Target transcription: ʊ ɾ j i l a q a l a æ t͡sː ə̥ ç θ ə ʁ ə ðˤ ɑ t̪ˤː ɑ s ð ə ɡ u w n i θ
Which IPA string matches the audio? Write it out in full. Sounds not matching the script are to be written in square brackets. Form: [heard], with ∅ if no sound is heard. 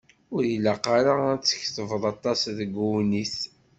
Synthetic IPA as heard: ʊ ɾ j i l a q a [ɾ] a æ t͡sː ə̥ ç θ ə [v] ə ðˤ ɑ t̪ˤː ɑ s ð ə ɡ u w n i θ

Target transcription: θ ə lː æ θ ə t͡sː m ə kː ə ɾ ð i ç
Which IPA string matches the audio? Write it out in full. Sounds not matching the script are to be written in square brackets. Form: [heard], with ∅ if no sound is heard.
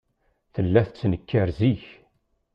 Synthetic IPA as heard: θ ə lː æ θ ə t͡sː [n] ə kː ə ɾ [z] i ç

